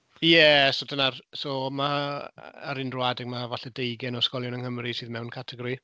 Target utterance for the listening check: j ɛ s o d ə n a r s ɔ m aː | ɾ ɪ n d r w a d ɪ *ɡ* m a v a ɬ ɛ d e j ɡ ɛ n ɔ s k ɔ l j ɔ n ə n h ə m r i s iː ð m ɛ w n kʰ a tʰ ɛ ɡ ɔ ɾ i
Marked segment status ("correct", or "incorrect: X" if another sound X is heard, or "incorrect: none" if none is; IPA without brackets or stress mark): correct